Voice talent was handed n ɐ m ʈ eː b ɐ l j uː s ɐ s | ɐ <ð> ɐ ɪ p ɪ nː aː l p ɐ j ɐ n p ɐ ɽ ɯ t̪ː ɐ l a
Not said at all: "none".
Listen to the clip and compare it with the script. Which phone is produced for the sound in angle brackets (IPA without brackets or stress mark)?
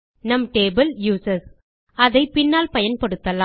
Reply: ð